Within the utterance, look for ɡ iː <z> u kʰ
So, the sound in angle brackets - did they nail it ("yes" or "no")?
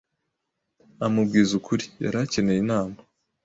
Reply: yes